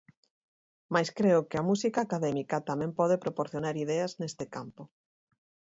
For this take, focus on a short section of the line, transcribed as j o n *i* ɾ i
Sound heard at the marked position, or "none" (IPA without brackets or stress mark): a